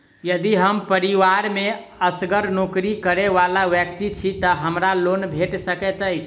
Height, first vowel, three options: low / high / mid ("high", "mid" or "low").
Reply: mid